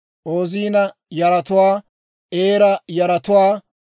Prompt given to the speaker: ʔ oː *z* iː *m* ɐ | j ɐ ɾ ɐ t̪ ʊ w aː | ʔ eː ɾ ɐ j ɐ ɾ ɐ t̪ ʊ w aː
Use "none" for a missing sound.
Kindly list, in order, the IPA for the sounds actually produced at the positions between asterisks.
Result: z, n

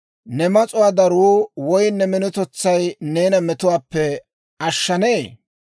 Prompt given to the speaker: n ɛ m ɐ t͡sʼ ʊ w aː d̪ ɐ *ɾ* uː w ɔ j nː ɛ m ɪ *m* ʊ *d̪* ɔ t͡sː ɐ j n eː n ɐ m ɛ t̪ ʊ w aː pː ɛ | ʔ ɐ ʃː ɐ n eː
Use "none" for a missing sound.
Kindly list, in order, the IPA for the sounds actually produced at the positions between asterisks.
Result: ɾ, n, t̪

